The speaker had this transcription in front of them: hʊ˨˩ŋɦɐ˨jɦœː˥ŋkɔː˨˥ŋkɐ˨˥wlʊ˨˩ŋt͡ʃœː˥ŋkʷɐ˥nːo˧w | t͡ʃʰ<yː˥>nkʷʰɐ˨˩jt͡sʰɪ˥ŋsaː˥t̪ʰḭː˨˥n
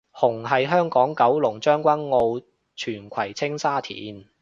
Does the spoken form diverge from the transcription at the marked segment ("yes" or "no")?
yes